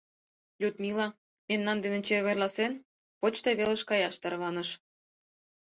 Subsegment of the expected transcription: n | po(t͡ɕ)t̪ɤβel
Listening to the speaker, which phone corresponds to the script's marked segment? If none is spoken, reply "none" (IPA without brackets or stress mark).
t͡ɕ